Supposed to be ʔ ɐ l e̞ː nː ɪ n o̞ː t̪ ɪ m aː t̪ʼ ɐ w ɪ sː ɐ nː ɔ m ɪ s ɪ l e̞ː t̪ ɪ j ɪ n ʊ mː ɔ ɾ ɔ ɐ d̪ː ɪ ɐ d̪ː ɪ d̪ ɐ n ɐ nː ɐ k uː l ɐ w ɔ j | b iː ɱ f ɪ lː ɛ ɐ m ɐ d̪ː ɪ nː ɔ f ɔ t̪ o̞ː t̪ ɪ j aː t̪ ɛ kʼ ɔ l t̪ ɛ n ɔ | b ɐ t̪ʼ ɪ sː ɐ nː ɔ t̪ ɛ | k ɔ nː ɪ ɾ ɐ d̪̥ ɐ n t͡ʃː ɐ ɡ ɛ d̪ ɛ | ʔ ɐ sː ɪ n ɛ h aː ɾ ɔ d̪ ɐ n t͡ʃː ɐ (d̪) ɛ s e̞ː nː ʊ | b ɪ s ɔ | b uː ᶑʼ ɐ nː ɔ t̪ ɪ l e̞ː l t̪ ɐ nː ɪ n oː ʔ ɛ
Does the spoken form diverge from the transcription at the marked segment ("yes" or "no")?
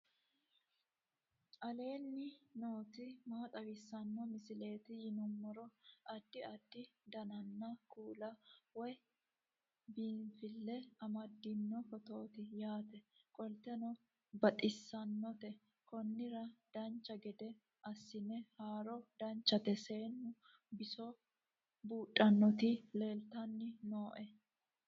yes